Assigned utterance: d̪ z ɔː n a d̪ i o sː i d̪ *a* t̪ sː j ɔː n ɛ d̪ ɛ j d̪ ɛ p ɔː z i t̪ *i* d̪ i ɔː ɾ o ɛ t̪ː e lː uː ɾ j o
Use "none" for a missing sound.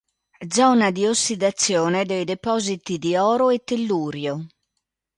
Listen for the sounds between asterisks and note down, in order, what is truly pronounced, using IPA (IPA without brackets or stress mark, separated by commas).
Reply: a, i